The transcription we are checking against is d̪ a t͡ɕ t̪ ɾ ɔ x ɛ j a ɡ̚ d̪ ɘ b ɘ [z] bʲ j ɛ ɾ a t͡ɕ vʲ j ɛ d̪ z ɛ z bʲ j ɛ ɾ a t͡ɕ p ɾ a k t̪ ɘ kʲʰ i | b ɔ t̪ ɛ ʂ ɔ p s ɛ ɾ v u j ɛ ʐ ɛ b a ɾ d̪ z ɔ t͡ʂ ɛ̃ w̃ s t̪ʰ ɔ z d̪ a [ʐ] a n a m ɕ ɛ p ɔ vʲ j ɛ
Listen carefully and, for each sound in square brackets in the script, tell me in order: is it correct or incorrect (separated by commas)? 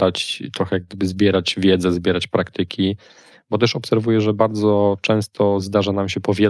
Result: correct, correct